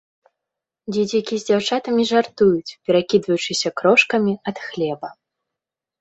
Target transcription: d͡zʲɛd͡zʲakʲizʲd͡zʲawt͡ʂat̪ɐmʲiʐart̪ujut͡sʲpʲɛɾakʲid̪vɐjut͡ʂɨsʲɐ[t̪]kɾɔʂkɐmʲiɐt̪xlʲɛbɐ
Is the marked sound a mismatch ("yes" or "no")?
yes